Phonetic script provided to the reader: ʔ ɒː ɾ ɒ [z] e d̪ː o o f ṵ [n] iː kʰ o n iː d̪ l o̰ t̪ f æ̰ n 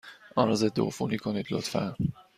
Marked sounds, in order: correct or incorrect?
correct, correct

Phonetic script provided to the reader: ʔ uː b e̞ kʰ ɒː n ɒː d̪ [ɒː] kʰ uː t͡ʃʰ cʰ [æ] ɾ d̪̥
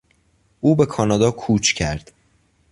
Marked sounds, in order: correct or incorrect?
correct, correct

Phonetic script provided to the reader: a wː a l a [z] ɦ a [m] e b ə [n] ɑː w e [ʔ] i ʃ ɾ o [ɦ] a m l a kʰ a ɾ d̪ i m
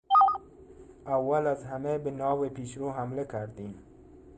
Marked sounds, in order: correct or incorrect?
correct, correct, correct, incorrect, correct

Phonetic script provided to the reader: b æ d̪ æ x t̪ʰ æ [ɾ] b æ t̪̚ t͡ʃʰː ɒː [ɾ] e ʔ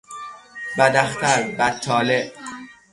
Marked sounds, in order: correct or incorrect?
correct, incorrect

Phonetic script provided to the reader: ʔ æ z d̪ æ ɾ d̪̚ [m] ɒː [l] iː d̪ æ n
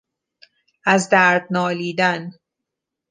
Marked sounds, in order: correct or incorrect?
incorrect, correct

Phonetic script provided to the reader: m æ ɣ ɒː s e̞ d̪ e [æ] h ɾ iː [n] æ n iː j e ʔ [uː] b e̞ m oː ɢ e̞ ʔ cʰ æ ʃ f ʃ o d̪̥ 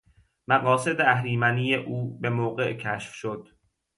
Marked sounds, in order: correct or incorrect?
correct, incorrect, correct

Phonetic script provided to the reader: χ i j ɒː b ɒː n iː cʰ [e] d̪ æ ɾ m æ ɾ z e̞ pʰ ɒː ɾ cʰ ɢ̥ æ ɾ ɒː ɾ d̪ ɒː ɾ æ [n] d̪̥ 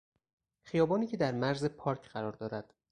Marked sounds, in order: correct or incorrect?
correct, incorrect

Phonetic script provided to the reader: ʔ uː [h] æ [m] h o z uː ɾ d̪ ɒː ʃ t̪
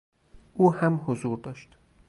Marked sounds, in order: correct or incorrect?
correct, correct

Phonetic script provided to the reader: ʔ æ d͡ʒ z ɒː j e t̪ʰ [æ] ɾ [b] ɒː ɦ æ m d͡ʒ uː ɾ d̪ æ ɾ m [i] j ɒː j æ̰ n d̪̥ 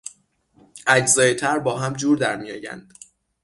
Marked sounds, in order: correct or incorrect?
correct, correct, correct

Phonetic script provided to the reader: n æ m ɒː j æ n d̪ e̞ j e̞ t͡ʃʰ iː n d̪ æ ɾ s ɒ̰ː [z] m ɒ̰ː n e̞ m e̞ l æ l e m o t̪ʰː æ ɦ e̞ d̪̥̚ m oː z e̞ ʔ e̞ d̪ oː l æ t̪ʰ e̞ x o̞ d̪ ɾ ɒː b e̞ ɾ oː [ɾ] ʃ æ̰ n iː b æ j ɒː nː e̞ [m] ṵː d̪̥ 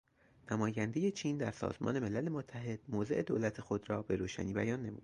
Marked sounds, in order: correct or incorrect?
correct, incorrect, correct

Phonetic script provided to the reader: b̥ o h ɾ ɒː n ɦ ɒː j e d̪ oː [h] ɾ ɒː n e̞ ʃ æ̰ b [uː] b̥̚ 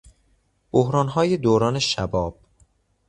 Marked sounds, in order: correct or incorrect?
incorrect, incorrect

